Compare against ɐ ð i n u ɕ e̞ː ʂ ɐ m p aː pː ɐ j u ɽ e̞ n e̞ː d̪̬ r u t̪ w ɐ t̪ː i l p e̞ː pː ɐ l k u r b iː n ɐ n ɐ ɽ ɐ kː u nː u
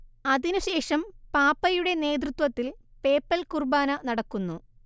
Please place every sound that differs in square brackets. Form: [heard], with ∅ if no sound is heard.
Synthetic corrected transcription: ɐ ð i n u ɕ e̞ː ʂ ɐ m p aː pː ɐ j u ɽ e̞ n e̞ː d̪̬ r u t̪ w ɐ t̪ː i l p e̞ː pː ɐ l k u r b [aː] n ɐ n ɐ ɽ ɐ kː u nː u